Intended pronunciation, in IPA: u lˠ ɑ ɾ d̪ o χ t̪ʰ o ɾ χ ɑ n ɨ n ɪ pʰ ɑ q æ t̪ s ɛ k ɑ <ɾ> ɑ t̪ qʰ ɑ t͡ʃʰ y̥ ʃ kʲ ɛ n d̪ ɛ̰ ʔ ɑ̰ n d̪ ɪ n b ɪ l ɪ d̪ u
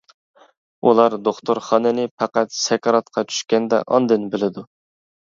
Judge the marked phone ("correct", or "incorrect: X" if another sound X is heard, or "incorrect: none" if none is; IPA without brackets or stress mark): correct